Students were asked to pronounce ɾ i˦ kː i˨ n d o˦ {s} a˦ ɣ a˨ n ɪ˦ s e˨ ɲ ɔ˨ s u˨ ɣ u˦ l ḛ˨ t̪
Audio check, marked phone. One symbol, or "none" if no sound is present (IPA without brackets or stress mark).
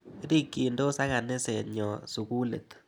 s